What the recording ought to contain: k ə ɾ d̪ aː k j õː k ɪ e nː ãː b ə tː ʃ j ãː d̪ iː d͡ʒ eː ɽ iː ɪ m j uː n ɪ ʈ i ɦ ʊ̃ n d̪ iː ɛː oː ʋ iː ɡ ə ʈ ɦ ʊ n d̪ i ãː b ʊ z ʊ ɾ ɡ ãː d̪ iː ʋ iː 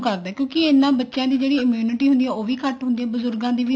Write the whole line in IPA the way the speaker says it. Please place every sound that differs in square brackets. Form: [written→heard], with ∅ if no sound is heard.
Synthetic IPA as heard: k ə ɾ d̪ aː k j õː k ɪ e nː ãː b ə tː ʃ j ãː d̪ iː d͡ʒ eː ɽ iː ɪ m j uː n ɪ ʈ [i→iː] ɦ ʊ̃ n d̪ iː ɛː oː ʋ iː [ɡ→k] ə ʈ ɦ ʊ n d̪ i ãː b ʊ z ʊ ɾ ɡ ãː d̪ iː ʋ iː